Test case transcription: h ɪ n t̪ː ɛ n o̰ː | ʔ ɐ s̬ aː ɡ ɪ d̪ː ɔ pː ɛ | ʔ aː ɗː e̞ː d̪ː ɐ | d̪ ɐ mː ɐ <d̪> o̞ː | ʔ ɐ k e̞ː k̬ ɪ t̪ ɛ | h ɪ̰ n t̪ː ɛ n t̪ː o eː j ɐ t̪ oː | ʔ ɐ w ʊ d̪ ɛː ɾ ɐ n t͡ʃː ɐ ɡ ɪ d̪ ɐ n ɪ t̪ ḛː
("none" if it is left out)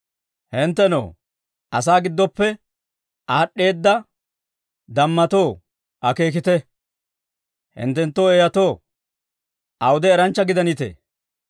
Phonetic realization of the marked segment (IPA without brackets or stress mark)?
t̪